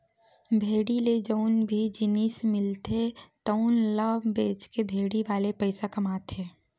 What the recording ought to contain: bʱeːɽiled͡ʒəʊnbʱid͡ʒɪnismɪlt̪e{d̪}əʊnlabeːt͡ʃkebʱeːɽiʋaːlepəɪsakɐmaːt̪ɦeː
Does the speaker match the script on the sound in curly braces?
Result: no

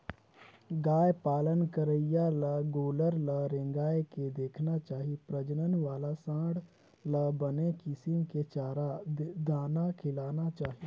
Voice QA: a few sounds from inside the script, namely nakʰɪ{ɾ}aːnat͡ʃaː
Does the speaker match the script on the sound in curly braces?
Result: no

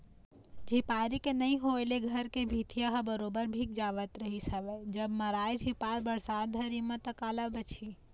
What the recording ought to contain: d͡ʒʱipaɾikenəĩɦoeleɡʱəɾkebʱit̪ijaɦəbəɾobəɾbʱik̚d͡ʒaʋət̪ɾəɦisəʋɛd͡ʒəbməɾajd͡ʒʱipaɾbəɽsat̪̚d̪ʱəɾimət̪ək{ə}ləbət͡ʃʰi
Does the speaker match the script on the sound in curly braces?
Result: no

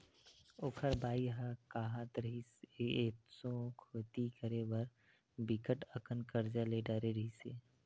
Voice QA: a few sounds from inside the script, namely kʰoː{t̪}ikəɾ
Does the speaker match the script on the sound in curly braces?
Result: yes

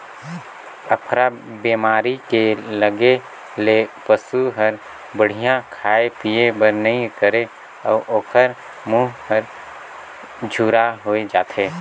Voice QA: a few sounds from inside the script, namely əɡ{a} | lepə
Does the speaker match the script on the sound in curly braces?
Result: no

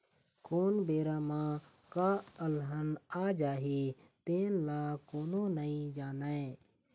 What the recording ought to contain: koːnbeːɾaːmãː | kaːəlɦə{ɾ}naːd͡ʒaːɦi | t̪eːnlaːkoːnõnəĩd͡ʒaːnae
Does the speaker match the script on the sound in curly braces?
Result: no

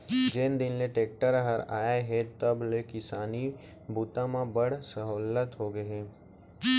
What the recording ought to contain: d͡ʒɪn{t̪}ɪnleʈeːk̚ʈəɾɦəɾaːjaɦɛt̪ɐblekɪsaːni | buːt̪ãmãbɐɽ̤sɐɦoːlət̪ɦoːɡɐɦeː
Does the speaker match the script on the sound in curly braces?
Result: no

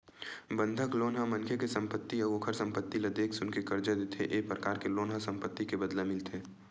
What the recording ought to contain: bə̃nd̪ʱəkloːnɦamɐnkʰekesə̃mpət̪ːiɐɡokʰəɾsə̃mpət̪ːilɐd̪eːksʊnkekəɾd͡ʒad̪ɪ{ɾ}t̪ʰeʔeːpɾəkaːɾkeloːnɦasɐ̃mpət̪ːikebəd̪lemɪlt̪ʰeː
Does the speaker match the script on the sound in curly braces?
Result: no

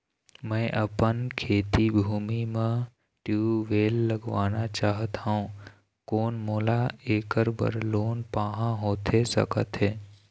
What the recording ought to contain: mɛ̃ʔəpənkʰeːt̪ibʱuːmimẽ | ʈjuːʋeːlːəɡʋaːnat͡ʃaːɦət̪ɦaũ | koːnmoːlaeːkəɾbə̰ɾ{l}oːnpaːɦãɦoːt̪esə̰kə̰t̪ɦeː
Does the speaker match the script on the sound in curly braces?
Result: yes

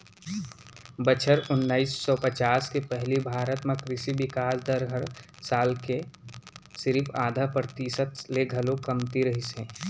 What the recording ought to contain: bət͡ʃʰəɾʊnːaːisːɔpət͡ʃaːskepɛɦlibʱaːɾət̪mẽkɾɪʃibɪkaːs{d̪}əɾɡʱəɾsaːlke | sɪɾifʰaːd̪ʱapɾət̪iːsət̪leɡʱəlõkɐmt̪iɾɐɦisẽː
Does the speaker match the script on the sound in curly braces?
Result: yes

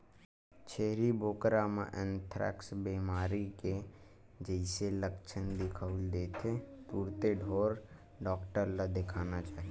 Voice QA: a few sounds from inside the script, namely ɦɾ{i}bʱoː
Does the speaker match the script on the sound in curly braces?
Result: yes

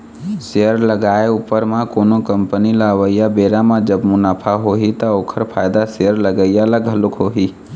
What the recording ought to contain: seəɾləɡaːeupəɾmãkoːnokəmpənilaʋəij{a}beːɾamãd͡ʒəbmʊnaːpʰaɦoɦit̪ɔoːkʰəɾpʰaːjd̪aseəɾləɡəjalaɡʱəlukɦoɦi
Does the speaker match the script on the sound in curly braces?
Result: yes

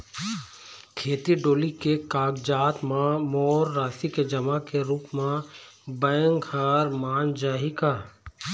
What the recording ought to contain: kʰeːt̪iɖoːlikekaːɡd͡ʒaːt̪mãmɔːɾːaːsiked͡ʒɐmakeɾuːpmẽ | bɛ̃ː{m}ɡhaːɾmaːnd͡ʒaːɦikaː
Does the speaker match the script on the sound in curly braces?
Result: no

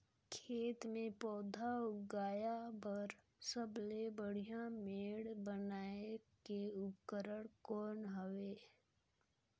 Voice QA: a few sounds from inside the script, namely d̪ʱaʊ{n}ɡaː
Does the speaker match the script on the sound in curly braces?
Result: no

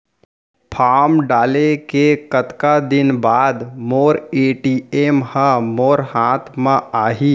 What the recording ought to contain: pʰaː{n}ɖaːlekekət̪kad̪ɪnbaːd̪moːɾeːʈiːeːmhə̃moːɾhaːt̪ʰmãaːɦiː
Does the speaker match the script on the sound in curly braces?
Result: no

